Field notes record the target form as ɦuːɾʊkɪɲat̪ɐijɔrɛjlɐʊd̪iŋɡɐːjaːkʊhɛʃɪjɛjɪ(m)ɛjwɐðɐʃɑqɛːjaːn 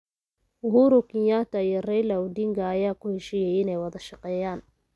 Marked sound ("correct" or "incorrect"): incorrect